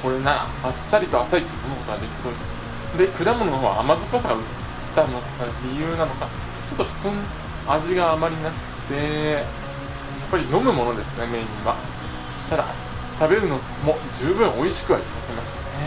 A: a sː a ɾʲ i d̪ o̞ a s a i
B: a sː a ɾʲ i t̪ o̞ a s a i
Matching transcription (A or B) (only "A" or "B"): B